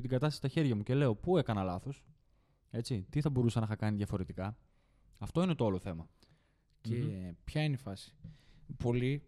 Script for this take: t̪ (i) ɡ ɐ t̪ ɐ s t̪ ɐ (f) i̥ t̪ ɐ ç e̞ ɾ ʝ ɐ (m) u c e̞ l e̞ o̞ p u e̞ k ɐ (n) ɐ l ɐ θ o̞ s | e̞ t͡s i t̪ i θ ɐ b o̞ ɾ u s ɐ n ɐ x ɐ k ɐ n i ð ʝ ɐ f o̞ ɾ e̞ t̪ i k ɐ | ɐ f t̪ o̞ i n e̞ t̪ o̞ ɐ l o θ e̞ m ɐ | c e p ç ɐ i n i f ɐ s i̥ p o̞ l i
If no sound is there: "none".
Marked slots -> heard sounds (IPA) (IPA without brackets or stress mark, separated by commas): i, s, m, n